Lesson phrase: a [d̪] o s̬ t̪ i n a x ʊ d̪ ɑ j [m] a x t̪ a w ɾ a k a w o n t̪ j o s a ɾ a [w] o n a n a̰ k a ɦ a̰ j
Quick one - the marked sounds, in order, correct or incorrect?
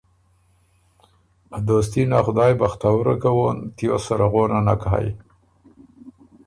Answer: correct, incorrect: b, incorrect: ɣ

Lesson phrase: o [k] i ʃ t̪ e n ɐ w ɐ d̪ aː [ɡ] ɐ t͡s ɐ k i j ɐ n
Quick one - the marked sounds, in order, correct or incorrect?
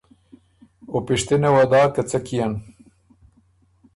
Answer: incorrect: p, incorrect: k

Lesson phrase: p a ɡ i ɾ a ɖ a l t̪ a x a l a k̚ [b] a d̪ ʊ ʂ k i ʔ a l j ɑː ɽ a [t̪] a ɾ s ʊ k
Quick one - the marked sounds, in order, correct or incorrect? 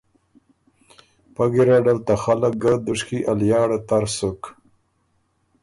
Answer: incorrect: ɡ, correct

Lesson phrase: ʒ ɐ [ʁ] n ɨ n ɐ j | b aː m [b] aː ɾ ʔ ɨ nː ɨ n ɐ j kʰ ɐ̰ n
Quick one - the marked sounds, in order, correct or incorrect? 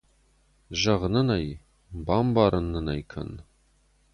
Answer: correct, correct

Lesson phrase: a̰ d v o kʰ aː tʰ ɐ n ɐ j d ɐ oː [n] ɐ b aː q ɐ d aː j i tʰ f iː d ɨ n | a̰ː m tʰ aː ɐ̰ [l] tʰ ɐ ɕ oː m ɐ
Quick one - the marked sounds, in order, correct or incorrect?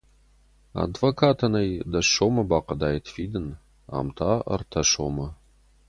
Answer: incorrect: m, incorrect: r

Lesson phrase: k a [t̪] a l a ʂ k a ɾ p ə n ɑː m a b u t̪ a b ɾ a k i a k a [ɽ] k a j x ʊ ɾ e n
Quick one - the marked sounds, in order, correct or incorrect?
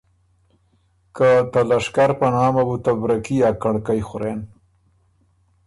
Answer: correct, correct

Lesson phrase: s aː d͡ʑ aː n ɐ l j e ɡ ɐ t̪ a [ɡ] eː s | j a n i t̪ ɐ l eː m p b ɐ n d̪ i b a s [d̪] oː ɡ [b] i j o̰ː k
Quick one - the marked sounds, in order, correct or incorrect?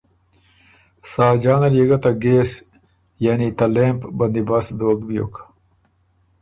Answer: correct, correct, correct

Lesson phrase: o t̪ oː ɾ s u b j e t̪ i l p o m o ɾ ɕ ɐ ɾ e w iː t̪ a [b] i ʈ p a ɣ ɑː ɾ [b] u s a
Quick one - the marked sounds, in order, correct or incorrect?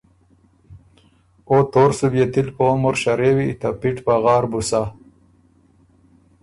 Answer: incorrect: p, correct

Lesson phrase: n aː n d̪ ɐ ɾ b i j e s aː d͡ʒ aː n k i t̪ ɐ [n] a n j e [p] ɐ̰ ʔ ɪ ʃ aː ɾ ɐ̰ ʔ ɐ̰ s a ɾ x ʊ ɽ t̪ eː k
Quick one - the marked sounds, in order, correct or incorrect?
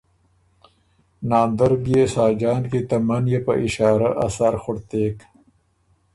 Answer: incorrect: m, correct

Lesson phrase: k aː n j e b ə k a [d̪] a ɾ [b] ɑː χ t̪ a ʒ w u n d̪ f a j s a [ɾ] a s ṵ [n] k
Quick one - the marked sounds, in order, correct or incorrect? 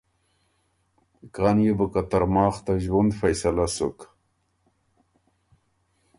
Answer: incorrect: t̪, incorrect: m, incorrect: l, incorrect: none

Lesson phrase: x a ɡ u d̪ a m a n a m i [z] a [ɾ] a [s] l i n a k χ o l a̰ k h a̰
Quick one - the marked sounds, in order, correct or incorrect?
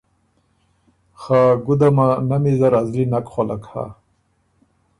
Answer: correct, correct, incorrect: z

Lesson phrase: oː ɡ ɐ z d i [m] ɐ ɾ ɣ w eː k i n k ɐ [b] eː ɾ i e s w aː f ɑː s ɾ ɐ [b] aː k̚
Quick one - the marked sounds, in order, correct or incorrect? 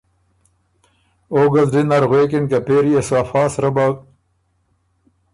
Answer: incorrect: n, incorrect: p, correct

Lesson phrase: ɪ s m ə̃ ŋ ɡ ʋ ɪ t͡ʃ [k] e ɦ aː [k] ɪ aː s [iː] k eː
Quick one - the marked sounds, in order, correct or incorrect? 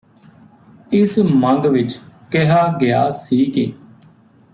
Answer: correct, incorrect: ɡ, correct

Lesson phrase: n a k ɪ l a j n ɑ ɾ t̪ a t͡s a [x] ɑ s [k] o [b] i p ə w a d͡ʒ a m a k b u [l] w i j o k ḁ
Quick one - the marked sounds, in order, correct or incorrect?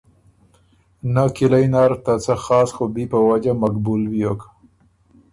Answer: correct, incorrect: x, correct, correct

